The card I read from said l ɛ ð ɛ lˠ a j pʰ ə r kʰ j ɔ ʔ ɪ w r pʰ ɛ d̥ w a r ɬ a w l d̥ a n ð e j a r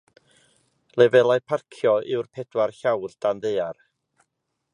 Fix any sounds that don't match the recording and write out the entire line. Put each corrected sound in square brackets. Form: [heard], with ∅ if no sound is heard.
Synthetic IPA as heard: l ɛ [v] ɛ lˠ a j pʰ [a] r kʰ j ɔ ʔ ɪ w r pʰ ɛ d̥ w a r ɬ a w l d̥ a n ð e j a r